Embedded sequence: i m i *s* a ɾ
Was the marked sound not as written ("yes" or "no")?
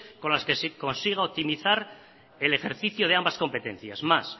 yes